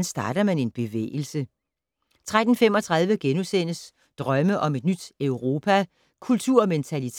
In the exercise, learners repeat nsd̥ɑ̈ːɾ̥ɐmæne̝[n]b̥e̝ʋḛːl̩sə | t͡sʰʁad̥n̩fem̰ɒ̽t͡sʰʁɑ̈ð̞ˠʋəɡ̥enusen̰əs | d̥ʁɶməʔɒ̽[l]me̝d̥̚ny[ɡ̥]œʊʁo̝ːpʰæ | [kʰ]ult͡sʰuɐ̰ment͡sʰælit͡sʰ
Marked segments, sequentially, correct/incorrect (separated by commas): correct, incorrect, incorrect, correct